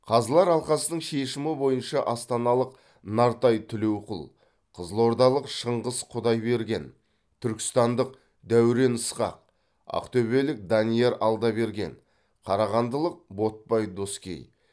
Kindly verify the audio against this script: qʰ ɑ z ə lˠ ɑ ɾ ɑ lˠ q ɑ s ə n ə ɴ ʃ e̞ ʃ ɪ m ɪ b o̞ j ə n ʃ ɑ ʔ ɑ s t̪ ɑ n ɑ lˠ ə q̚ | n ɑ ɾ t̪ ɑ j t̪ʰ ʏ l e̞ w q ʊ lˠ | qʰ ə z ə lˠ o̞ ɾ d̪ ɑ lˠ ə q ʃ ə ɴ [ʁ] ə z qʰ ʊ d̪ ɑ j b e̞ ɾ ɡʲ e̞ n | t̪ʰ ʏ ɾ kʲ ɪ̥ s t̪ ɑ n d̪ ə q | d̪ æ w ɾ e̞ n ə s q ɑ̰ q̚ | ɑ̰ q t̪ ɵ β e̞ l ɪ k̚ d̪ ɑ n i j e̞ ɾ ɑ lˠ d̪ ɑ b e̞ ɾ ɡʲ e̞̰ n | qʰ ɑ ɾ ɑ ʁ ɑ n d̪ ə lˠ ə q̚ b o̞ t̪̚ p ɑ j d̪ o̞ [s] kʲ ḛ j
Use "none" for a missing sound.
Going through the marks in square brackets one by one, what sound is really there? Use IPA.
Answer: ʁ, s

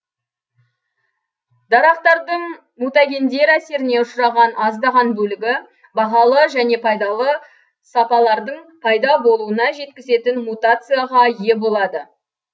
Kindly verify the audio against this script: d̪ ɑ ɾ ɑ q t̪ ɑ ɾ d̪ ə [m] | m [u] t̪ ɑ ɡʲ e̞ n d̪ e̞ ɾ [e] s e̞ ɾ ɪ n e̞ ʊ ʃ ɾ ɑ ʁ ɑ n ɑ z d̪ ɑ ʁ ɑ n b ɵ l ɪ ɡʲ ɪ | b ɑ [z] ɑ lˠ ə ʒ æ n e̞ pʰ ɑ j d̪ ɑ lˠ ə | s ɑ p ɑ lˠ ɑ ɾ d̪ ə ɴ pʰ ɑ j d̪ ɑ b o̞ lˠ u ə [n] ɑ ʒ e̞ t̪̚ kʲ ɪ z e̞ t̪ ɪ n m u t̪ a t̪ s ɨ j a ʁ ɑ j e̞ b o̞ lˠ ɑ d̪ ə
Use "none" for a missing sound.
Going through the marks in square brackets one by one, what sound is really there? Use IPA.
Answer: ɴ, u, æ, ʁ, n

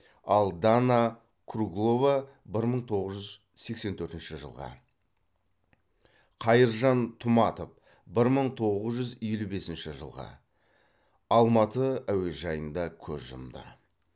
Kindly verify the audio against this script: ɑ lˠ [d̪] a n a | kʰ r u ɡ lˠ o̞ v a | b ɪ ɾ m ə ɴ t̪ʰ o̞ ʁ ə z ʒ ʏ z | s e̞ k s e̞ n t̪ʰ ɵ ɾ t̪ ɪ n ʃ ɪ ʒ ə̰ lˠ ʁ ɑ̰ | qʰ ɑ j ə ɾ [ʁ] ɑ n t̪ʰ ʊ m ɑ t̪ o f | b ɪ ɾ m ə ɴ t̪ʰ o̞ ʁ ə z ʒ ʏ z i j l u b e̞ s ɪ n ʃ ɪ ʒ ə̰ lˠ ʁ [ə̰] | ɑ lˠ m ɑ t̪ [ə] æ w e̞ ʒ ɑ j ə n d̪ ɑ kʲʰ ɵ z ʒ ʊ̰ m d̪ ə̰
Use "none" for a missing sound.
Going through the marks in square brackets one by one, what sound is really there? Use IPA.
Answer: d̪, ʒ, ɑ̰, ə

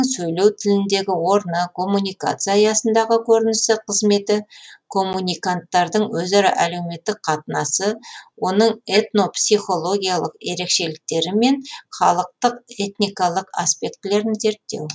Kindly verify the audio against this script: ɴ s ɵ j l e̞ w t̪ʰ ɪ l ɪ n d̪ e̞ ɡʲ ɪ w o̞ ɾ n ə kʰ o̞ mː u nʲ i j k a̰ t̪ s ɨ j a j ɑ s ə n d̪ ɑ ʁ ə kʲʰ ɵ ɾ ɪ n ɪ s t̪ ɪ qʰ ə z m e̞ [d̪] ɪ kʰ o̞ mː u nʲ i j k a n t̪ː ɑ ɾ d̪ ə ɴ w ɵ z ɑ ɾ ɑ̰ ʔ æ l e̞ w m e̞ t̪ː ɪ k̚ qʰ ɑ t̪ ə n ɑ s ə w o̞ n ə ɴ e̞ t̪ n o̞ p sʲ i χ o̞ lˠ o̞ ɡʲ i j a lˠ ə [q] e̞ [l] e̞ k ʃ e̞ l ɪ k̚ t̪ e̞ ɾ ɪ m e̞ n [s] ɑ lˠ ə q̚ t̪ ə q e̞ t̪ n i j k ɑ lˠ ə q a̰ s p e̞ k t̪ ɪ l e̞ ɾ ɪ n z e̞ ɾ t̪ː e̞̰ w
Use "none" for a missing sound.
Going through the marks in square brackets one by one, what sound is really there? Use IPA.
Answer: t̪, q, ɾ, χ

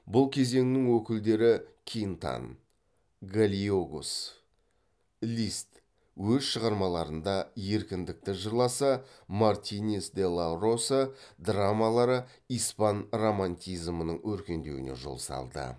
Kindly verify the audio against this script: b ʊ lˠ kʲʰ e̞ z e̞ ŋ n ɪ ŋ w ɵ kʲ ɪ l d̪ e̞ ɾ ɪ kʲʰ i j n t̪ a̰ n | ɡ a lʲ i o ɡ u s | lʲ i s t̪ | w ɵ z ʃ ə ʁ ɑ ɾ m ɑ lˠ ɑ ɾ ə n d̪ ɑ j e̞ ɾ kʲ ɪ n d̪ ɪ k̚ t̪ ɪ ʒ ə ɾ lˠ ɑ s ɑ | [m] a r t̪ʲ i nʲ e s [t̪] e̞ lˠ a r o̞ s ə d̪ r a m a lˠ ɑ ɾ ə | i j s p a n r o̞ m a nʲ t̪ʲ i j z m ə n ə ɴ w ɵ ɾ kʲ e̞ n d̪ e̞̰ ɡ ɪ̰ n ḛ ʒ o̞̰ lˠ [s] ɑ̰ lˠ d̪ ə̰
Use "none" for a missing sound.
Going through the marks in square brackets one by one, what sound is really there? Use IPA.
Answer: m, d̪, s

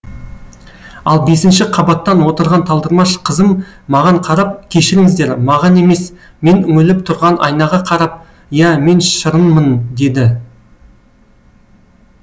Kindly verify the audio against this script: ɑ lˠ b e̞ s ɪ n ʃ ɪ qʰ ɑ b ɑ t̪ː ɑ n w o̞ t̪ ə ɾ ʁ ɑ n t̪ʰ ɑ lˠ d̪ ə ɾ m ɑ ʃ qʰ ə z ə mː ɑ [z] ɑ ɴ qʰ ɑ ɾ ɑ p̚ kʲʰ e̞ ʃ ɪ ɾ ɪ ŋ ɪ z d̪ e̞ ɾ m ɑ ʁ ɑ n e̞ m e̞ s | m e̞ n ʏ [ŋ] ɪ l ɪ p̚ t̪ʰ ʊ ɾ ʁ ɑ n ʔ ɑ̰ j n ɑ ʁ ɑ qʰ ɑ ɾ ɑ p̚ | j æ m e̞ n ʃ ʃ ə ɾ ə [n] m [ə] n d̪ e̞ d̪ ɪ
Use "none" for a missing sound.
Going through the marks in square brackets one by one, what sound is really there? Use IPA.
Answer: ʁ, ŋ, n, ə

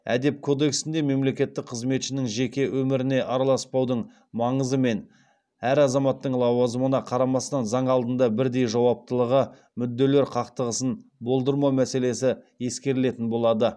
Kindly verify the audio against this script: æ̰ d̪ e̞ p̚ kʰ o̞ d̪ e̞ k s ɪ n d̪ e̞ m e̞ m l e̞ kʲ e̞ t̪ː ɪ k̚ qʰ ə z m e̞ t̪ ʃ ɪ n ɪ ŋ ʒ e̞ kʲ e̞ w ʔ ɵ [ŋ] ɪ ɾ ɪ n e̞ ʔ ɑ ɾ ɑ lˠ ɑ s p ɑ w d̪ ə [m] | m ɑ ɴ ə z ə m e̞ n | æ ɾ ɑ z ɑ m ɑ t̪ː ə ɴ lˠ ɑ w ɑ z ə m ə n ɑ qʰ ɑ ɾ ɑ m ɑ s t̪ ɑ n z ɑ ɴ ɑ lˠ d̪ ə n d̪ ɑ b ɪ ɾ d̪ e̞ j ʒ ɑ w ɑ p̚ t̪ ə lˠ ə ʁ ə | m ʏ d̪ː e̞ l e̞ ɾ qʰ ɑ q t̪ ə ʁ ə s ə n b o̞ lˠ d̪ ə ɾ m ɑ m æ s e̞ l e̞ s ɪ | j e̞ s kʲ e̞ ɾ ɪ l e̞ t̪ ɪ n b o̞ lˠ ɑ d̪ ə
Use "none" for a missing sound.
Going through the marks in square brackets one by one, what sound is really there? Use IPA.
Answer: m, ɴ

